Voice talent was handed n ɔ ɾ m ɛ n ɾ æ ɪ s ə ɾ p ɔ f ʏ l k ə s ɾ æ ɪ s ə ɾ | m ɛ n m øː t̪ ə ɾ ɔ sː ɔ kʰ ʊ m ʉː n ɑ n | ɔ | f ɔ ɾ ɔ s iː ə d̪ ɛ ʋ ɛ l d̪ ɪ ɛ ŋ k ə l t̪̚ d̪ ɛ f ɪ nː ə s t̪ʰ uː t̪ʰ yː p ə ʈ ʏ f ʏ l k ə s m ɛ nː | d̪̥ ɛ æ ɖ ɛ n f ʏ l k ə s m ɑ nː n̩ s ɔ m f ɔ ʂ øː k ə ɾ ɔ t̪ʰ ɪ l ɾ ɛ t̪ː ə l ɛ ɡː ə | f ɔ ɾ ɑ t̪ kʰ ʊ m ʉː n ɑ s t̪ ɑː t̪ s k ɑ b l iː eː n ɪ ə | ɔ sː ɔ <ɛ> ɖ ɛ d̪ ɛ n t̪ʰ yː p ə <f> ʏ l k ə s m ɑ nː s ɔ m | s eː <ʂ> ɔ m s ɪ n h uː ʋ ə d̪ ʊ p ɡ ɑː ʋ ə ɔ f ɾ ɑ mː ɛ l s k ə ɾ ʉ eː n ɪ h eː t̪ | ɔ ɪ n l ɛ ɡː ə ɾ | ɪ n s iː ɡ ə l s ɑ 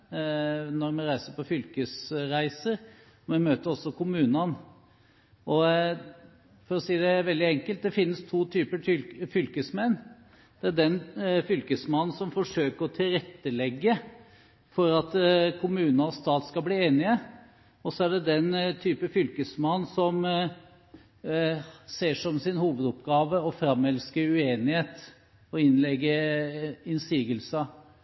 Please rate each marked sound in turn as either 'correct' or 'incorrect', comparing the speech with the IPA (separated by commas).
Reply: incorrect, correct, correct